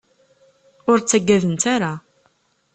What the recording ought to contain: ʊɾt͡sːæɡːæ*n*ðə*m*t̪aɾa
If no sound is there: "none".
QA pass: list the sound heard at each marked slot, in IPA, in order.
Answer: none, n

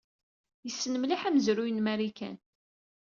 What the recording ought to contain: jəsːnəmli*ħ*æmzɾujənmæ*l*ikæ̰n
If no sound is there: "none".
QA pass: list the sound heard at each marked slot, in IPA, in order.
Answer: ħ, ɾ

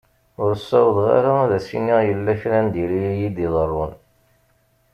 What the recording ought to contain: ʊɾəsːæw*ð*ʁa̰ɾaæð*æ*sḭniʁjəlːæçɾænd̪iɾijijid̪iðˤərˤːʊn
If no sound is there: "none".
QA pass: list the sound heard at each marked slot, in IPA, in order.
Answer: ð, æ

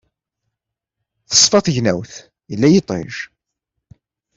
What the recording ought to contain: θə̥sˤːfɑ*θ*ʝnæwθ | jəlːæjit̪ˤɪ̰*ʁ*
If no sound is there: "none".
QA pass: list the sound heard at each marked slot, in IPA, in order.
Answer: θ, ʒ

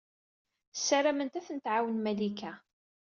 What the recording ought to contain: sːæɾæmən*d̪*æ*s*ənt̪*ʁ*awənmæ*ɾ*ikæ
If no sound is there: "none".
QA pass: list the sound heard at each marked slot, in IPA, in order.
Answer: t̪, θ, ʕ, l

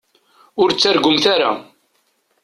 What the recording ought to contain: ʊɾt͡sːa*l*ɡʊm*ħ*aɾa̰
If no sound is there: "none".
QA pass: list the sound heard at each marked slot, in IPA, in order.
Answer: ɾ, θ

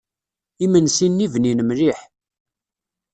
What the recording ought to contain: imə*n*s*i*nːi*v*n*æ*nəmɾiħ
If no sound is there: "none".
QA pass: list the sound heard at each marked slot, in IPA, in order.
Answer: n, i, v, i

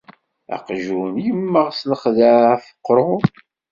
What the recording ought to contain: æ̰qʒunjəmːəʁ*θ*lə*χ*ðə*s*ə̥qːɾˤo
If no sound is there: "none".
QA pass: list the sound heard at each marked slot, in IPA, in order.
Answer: s, χ, f

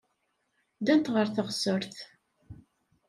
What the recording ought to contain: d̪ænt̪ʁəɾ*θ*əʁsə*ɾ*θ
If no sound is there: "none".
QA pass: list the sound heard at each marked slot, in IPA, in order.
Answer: θ, ɾ

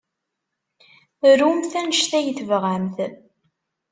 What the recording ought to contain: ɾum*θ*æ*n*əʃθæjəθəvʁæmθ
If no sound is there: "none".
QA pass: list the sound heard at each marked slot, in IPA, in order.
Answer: θ, n

